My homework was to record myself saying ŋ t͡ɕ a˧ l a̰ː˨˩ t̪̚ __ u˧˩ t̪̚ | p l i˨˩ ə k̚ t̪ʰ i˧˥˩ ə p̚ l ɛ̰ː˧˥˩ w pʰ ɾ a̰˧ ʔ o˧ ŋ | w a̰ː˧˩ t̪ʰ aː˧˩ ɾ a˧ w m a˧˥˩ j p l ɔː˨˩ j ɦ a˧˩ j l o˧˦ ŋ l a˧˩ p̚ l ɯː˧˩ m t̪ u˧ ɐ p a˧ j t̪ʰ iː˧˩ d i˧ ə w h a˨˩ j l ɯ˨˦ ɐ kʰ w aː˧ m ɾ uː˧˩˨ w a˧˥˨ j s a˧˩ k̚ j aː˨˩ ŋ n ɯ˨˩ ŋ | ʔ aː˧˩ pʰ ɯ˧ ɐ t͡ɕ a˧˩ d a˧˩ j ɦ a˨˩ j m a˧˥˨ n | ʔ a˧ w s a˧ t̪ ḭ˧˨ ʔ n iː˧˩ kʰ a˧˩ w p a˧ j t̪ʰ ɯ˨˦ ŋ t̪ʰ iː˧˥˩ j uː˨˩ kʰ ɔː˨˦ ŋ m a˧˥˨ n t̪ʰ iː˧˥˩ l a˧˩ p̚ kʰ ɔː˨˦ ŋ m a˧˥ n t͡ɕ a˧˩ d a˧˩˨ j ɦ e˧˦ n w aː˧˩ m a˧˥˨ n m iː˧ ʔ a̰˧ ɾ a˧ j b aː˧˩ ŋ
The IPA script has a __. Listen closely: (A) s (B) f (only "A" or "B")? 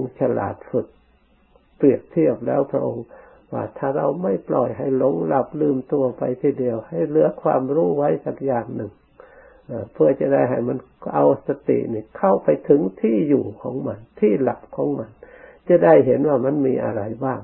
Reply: B